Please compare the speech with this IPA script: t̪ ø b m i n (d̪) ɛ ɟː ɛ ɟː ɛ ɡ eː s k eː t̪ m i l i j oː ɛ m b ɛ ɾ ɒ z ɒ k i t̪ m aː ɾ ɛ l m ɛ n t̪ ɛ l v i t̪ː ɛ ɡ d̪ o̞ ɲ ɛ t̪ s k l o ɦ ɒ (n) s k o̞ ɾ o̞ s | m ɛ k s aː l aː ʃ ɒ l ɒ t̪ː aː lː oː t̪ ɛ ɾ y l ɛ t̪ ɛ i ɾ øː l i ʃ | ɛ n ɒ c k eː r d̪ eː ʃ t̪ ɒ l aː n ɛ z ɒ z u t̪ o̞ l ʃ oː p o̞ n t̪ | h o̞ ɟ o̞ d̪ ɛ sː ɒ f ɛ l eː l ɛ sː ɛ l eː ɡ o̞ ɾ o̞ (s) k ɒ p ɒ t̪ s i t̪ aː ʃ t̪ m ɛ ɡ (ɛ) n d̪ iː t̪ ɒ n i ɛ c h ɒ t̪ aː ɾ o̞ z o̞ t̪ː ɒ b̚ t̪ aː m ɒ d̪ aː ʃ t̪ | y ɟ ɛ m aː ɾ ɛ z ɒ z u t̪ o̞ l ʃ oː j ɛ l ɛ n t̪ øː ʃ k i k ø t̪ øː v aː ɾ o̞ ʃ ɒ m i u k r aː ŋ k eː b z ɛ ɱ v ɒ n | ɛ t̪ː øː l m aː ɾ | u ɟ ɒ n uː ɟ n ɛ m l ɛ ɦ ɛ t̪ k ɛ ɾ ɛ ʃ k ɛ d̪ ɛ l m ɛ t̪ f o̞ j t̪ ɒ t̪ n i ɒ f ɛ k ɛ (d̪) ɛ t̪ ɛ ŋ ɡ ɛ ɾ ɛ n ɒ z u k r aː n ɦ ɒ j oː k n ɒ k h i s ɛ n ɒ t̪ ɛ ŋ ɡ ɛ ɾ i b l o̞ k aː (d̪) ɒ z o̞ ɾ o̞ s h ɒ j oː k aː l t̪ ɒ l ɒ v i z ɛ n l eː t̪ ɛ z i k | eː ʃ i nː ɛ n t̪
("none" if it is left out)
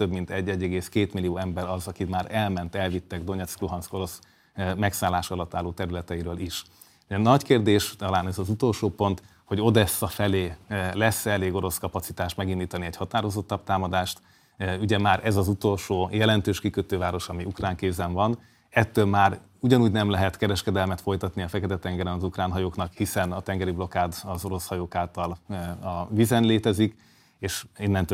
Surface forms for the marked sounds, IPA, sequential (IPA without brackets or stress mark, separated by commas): t̪, n, s, i, t̪, d̪